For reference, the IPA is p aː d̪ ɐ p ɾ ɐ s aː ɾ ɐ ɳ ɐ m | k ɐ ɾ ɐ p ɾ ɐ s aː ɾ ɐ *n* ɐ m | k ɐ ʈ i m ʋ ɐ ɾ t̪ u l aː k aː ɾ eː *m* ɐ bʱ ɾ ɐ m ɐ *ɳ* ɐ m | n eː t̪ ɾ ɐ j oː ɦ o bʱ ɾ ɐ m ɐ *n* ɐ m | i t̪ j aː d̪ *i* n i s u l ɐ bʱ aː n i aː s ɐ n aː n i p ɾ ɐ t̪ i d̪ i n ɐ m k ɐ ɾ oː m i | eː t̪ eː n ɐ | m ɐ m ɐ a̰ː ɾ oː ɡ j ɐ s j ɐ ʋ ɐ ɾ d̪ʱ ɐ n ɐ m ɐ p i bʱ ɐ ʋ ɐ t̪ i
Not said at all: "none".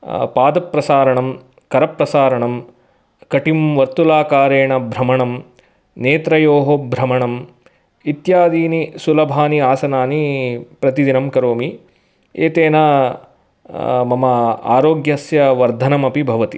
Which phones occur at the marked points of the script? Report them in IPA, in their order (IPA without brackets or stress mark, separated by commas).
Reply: ɳ, ɳ, ɳ, ɳ, iː